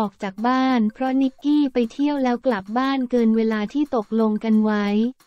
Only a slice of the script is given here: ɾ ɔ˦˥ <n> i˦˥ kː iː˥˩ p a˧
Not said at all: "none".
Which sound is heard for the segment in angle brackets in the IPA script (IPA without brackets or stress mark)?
n